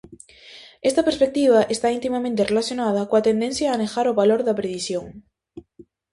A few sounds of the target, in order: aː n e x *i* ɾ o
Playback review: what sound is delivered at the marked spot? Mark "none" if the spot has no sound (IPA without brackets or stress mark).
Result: a